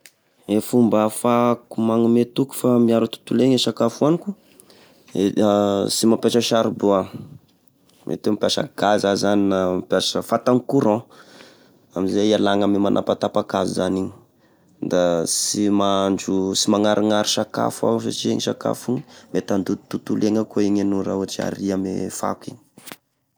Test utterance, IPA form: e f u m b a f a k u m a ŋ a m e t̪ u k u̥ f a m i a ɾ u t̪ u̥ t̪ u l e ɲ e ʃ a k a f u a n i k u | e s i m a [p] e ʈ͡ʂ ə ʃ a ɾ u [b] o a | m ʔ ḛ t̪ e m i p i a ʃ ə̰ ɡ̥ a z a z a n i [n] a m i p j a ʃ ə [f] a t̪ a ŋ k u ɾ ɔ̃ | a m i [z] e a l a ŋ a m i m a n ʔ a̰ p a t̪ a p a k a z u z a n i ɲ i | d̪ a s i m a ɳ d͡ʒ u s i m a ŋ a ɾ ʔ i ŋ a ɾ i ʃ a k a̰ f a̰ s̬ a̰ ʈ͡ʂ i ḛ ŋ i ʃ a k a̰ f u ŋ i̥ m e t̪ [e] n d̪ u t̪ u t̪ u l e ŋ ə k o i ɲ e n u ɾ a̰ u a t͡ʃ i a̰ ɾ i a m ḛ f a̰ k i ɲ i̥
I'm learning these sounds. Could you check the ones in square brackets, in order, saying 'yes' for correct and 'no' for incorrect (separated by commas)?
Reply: yes, yes, yes, yes, yes, no